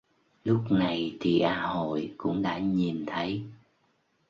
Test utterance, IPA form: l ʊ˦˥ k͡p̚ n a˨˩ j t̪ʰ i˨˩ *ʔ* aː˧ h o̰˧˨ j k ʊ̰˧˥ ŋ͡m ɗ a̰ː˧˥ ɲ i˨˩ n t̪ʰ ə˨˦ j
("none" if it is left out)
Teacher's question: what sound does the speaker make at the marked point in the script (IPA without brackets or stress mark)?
ʔ